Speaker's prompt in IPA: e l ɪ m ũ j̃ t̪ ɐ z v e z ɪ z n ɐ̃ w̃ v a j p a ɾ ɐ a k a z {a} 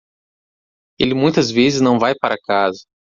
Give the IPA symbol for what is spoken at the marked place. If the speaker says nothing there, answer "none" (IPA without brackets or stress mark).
ɐ